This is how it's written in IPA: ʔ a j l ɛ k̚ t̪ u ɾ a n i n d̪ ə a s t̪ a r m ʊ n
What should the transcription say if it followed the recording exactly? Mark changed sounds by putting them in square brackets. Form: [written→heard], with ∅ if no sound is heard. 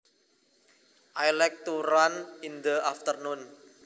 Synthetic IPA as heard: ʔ a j l ɛ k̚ t̪ u ɾ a n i n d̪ ə a [s→f] t̪ [a→ə] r [m→n] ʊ n